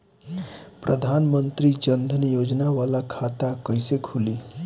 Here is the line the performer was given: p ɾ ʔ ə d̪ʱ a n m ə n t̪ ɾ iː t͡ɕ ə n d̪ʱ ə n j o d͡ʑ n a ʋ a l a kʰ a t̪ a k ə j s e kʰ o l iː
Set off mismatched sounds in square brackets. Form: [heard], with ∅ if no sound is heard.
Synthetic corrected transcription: p ɾ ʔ ə d̪ʱ a n m ə n t̪ ɾ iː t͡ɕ ə n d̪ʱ ə n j o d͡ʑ n a ʋ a l a kʰ a t̪ a k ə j s e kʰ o l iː